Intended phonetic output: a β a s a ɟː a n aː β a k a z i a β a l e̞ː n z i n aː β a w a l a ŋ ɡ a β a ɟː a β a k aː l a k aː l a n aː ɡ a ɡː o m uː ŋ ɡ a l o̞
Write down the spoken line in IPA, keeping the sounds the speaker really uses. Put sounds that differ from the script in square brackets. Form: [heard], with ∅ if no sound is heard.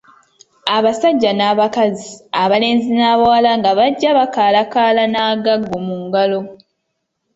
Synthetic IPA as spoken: a β a s a ɟː a n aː β a k a z i a β a l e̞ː n z i n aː β a w a l a ŋ ɡ a β a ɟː a β a k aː l a k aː l a n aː ɡ a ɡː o m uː ŋ ɡ a l o̞